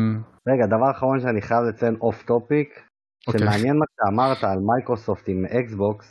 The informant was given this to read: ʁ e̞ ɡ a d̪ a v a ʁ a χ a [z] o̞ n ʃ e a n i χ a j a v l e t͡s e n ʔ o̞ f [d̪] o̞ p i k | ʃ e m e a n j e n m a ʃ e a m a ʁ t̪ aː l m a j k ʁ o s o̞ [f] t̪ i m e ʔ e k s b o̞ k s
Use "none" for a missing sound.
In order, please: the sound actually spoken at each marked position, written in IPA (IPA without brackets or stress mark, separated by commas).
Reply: ʁ, t̪, f